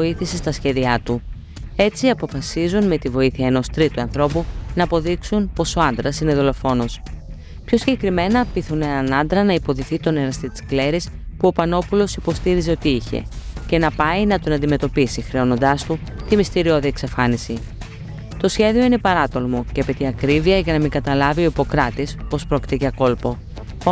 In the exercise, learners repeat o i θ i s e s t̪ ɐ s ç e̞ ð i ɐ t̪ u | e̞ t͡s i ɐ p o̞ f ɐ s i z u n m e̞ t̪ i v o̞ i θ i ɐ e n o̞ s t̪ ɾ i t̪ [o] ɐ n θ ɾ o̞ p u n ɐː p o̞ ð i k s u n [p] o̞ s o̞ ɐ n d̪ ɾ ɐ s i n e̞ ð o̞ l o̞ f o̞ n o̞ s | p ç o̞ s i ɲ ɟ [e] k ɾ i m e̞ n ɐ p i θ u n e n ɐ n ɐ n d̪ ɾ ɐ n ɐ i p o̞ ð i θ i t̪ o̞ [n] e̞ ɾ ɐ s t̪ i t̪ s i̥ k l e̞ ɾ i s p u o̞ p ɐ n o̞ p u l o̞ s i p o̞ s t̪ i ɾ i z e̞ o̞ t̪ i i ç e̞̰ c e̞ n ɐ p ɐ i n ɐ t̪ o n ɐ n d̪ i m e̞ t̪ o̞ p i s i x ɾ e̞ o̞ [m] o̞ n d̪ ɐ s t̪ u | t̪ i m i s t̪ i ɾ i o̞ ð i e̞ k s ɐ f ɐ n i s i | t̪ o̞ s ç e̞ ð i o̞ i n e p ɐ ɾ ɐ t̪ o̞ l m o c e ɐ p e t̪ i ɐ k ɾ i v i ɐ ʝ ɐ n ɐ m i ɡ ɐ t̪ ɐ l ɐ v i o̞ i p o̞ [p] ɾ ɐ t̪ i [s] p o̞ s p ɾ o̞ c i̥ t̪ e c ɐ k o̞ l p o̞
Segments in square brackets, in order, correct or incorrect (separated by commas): incorrect, correct, correct, correct, incorrect, incorrect, correct